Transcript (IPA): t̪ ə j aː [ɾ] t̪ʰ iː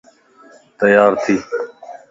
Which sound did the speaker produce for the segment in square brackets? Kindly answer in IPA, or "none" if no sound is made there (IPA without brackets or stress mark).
ɾ